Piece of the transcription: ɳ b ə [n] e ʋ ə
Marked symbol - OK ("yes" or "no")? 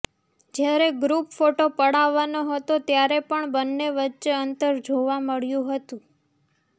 no